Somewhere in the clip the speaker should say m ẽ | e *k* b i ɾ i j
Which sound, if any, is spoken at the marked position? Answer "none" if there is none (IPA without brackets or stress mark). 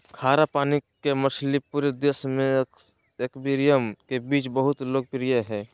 k